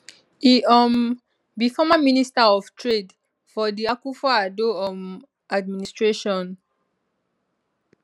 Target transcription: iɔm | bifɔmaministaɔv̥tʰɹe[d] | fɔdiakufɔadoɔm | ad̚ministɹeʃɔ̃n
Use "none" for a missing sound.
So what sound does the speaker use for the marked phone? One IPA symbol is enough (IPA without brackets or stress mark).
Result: d